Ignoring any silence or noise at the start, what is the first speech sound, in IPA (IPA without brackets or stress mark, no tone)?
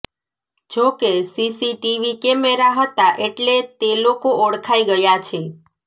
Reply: d͡ʒ